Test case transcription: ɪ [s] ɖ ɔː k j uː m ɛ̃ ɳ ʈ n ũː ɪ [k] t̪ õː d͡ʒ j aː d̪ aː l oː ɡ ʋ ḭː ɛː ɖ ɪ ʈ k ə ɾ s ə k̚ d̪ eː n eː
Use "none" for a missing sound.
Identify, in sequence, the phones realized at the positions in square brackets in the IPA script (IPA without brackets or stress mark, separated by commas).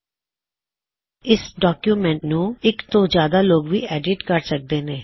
s, k